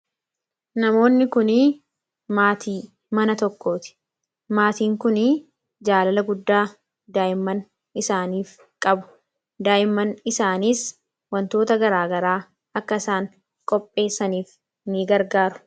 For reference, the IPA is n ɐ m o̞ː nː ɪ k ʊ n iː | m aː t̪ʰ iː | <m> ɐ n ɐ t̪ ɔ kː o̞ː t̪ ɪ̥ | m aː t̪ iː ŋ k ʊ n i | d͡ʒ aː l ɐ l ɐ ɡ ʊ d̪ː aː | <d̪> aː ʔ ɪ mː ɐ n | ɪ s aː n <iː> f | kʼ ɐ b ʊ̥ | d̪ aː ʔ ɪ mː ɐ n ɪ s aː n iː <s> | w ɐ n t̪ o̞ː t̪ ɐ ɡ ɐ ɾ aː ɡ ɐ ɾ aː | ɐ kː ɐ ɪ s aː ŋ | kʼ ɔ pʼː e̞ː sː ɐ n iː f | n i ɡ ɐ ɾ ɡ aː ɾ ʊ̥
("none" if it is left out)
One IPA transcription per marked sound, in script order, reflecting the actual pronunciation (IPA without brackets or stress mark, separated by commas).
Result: m, d̪, iː, s